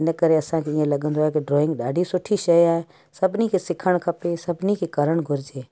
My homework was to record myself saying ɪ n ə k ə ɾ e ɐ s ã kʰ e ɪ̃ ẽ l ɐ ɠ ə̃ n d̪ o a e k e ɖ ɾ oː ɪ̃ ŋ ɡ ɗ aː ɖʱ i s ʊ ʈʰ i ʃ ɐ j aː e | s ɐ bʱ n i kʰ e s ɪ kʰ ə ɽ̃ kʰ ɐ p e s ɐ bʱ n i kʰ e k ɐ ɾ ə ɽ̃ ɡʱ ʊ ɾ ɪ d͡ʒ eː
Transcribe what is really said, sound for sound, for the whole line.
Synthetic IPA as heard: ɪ n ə k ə ɾ e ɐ s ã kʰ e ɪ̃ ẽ l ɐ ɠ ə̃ n d̪ o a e k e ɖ ɾ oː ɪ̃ ŋ ɡ ɗ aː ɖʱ i s ʊ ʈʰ i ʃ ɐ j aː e | s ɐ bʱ n i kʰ e s ɪ kʰ ə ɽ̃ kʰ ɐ p e s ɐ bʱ n i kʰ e k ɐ ɾ ə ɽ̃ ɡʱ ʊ ɾ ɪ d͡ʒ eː